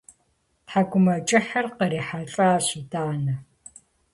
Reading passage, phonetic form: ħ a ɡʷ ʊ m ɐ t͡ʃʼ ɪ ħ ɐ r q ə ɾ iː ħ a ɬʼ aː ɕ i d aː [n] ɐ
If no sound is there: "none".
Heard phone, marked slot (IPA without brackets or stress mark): n